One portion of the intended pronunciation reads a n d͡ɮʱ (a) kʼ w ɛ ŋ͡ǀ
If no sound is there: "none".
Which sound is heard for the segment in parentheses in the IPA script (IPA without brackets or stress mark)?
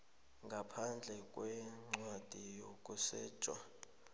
ɛ